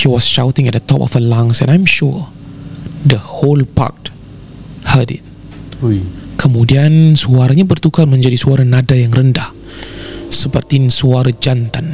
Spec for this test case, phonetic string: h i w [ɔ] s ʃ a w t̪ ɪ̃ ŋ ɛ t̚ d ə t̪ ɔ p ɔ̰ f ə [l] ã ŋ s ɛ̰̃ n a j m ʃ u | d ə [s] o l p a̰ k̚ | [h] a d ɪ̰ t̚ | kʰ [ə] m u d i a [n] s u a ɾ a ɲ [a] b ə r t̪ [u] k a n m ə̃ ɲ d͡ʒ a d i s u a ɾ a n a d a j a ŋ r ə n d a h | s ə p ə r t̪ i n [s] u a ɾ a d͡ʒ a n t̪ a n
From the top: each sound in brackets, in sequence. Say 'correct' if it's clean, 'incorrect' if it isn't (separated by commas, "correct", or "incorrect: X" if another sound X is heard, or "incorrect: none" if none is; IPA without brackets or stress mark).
correct, correct, incorrect: h, correct, correct, correct, correct, correct, correct